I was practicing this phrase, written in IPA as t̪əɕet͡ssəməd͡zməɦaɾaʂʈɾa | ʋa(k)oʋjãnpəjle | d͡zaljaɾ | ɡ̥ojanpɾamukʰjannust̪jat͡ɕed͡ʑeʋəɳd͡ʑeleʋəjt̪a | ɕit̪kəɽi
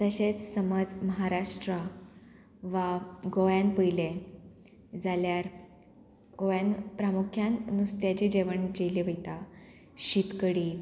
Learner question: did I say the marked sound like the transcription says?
no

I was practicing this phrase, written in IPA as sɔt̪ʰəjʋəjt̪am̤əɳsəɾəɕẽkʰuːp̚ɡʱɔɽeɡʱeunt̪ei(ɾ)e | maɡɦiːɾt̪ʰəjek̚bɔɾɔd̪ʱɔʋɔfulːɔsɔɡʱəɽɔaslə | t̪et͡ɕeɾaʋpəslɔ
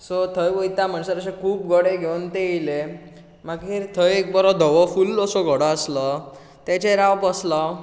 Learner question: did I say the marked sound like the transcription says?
no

